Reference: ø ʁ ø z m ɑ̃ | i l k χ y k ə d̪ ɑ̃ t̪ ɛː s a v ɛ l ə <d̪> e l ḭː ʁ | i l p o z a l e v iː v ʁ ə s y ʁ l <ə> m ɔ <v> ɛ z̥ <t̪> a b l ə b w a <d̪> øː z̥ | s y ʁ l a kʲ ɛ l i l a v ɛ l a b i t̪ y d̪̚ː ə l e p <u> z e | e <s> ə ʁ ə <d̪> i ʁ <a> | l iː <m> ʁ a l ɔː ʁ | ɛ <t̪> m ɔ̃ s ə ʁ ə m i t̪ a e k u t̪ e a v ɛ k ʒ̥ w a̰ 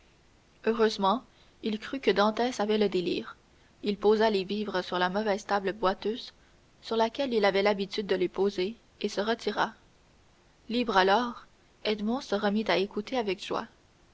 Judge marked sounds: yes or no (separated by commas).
yes, no, yes, yes, no, no, yes, no, yes, no, no